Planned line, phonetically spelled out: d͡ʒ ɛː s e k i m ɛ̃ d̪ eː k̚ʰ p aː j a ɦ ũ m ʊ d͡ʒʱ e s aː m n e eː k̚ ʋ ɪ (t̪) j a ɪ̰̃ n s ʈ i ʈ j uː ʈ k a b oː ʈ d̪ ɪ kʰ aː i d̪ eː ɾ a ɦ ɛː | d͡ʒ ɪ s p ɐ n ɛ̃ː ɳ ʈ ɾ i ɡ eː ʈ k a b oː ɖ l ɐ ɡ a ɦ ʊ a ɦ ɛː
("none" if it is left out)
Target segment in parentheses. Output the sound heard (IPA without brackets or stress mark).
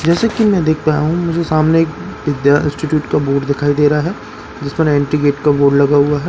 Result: d̪